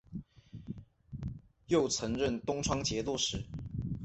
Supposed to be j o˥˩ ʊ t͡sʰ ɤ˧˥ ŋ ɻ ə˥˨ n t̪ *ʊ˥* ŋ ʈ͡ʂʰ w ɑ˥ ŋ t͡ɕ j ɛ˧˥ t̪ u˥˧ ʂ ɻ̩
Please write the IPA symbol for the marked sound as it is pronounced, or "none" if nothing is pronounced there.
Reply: ʊ˥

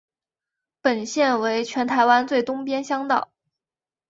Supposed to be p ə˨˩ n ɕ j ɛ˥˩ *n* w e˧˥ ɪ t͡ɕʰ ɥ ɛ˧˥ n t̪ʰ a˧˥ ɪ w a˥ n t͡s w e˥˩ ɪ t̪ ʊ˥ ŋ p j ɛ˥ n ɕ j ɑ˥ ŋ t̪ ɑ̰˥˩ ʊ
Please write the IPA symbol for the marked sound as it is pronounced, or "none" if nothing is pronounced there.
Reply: n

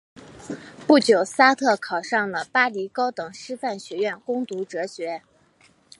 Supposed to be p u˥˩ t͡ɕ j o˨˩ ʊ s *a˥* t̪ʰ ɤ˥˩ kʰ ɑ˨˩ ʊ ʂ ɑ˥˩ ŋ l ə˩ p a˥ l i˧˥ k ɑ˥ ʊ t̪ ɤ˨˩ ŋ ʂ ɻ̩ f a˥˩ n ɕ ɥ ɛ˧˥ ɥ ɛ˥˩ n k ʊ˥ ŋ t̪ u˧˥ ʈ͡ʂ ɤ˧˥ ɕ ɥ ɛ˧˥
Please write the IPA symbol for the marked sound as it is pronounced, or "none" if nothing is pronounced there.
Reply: a˥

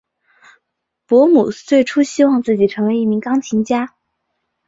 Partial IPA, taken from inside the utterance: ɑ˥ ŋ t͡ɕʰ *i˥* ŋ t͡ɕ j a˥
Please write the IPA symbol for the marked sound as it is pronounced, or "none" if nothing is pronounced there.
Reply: i˧˥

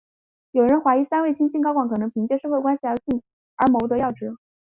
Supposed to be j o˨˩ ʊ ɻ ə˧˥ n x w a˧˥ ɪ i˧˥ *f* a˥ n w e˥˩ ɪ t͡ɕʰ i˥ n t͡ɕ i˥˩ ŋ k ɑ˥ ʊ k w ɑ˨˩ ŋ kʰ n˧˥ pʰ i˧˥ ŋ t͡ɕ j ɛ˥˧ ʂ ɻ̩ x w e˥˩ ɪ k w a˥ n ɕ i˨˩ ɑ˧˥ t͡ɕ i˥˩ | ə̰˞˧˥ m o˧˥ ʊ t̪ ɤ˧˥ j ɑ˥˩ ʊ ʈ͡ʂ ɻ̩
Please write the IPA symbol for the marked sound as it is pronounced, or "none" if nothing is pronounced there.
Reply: s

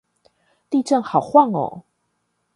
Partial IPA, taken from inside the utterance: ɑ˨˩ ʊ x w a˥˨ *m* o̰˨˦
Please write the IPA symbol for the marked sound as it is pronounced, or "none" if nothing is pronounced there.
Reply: ŋ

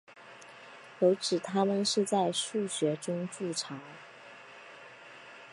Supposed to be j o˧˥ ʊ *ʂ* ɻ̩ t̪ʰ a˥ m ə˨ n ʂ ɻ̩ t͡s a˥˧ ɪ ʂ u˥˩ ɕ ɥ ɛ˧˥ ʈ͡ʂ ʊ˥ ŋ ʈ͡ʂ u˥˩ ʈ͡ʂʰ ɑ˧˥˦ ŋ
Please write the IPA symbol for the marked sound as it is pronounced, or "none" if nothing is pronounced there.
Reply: ʈ͡ʂ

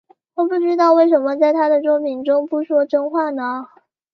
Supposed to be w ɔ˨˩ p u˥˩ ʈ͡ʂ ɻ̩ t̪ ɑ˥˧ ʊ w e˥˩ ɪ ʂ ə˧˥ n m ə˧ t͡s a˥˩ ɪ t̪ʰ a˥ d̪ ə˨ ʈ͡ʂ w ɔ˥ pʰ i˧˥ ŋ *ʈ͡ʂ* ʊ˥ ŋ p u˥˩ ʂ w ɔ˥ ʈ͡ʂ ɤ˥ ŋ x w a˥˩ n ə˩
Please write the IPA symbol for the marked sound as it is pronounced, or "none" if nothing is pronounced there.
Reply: ʈ͡ʂ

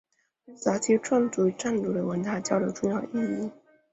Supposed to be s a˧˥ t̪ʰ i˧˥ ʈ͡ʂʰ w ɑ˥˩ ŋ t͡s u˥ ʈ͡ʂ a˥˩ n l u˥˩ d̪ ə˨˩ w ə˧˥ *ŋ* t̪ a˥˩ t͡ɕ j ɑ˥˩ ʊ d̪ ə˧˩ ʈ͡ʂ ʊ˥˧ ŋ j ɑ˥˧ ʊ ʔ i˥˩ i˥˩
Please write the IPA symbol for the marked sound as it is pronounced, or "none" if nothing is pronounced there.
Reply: n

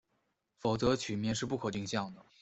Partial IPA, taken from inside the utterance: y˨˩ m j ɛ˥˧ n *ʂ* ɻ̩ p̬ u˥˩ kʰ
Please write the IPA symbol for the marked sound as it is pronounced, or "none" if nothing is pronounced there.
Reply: ʂ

